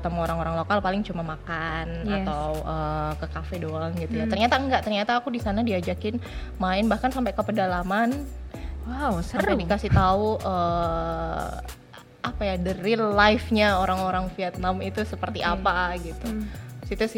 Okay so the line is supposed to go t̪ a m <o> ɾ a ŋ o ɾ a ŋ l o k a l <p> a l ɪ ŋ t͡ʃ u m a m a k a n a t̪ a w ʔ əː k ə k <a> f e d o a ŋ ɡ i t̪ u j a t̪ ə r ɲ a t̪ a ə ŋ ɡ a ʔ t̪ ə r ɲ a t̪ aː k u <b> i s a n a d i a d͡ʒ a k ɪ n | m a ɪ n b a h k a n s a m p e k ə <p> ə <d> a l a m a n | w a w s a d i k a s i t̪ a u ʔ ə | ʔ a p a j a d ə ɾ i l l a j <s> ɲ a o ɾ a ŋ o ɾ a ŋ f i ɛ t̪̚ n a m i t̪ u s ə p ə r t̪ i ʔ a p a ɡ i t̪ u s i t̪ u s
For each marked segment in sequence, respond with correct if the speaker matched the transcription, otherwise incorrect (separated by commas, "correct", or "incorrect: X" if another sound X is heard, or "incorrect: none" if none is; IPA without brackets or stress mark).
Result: correct, correct, correct, incorrect: d, correct, correct, incorrect: f